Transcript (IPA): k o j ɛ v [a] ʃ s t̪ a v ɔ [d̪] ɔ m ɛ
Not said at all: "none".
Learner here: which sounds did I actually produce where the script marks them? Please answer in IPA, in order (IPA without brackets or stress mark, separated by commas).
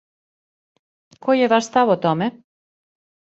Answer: a, t̪